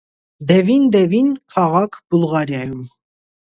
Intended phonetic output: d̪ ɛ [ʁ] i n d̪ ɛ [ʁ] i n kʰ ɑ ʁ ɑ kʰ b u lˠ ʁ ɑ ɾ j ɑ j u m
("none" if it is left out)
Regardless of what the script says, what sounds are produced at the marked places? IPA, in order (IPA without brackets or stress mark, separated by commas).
v, v